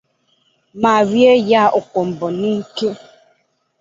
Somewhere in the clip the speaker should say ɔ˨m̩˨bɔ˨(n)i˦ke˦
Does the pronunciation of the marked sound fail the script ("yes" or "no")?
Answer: no